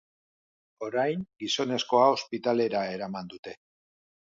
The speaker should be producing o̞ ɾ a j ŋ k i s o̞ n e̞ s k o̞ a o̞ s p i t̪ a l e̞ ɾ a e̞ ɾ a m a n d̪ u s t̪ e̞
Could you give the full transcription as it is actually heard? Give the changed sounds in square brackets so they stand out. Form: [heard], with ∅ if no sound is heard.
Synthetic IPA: o̞ ɾ a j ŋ [ɡ] i s o̞ n e̞ s k o̞ a o̞ s p i t̪ a l e̞ ɾ a e̞ ɾ a m a n d̪ u [∅] t̪ e̞